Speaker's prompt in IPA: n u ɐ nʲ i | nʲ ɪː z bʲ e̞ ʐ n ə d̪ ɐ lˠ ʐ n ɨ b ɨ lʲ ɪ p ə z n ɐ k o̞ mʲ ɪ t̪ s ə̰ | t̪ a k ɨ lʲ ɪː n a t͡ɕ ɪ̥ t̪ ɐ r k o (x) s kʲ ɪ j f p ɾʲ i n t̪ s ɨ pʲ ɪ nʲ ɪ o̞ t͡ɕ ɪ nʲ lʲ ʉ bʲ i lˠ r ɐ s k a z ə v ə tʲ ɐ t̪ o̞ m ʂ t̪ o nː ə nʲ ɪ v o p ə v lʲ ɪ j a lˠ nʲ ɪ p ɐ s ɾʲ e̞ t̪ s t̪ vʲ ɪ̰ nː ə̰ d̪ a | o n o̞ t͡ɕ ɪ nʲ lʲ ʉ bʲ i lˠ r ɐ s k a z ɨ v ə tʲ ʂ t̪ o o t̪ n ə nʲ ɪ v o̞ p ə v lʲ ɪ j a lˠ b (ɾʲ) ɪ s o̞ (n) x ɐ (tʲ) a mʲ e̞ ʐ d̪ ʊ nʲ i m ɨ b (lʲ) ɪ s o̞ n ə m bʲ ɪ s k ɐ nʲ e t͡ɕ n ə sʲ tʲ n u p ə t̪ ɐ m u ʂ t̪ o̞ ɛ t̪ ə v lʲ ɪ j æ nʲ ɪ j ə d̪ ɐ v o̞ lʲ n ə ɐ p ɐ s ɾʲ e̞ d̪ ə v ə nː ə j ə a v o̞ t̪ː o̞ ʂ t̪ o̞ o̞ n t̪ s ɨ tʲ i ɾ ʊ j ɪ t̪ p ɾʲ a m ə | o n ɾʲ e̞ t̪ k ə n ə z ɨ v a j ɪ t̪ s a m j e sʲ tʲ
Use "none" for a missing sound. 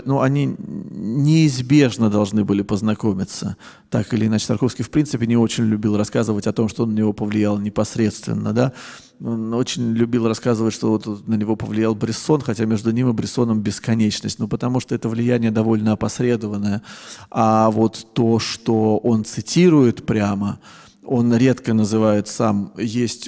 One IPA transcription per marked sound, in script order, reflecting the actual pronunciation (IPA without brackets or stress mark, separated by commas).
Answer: f, ɾʲ, n, tʲ, ɾʲ